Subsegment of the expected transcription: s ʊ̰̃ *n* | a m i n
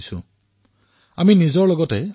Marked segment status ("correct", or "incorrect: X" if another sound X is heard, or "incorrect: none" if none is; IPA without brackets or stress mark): incorrect: none